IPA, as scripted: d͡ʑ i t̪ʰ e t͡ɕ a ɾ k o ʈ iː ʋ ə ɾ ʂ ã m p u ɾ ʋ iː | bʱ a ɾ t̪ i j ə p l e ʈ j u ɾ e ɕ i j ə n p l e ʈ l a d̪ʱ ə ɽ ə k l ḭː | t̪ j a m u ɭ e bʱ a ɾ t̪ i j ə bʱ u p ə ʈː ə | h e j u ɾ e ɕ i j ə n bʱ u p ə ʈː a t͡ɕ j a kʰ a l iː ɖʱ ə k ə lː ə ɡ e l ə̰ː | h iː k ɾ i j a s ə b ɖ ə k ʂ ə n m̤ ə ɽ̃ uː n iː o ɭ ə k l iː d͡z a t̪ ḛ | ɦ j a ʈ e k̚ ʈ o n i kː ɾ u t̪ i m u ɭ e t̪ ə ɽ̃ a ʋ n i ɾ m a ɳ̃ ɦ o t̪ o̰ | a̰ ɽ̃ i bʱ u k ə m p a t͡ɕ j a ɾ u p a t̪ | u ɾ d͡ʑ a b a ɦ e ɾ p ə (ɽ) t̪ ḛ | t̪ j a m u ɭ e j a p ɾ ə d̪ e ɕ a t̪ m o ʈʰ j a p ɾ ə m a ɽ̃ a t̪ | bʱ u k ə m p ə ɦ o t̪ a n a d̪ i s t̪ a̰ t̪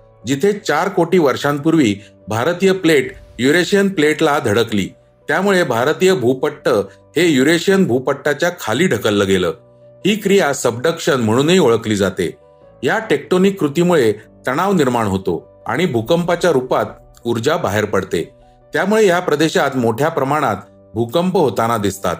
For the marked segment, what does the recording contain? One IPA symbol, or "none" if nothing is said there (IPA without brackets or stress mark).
ɽ